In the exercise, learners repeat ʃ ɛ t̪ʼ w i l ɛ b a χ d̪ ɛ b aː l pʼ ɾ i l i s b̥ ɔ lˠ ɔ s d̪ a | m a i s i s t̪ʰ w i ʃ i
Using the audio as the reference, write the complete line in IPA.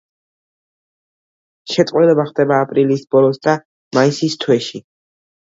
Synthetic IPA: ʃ ɛ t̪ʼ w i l ɛ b a χ d̪ ɛ b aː pʼ ɾ i l i s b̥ ɔ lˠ ɔ s d̪ a | m a i s i s t̪ʰ w ɛ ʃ i